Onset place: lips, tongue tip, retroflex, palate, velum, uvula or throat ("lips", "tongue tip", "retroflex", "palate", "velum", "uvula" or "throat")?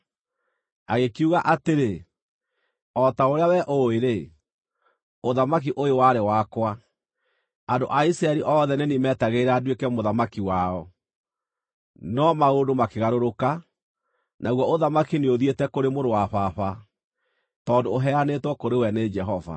velum